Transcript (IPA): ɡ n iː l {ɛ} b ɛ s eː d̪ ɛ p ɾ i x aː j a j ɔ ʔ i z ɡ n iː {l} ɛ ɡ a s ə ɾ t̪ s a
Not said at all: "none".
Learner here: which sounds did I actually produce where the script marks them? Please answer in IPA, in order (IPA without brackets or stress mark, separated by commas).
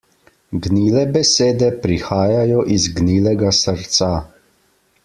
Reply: ɛ, l